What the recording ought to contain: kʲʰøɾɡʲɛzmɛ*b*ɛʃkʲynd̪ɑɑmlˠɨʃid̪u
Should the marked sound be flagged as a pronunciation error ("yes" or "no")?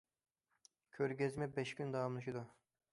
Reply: no